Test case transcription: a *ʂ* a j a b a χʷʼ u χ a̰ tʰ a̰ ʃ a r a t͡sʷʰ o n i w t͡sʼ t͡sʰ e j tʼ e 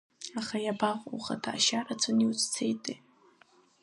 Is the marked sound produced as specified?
no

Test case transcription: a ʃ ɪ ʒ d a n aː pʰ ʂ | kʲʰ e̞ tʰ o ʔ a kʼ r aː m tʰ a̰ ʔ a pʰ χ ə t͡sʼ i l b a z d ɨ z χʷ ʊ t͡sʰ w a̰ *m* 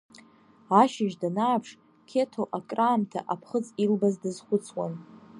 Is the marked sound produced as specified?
no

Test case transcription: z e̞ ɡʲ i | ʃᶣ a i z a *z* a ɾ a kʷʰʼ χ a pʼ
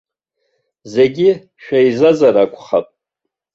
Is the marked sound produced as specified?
yes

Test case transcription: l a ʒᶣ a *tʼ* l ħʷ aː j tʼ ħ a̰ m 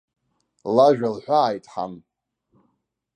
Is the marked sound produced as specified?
no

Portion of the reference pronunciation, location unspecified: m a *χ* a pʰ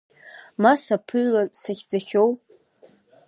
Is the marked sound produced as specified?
no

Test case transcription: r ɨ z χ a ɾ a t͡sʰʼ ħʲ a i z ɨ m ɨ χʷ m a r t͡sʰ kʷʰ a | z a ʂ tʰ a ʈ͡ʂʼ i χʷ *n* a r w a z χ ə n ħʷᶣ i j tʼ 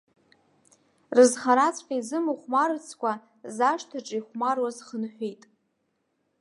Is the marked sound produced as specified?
no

